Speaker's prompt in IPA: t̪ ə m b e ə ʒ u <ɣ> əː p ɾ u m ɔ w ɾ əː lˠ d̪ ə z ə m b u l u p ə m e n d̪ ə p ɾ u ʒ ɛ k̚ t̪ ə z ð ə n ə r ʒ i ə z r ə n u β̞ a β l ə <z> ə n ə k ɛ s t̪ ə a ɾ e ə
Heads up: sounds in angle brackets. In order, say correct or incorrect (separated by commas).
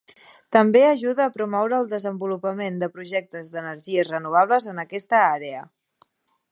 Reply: incorrect, correct